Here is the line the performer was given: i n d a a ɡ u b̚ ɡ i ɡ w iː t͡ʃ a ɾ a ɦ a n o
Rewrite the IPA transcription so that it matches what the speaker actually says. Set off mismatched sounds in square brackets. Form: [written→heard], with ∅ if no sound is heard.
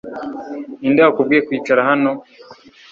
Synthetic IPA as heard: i n d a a [ɡ→k] u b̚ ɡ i [ɡ→k] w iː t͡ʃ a ɾ a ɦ a n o